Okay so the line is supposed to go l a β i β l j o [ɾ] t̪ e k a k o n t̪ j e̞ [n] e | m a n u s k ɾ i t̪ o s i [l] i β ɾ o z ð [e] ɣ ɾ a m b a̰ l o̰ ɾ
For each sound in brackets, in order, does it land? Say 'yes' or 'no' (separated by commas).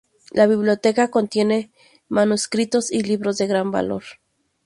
no, yes, yes, yes